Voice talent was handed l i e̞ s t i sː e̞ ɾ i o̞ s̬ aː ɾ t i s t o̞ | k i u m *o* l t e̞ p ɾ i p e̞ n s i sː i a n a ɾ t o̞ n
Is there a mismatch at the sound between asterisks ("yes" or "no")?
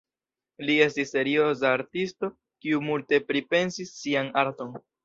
yes